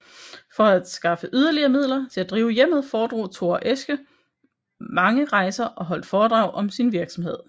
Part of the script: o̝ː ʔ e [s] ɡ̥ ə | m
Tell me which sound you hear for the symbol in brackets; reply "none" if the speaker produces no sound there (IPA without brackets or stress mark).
s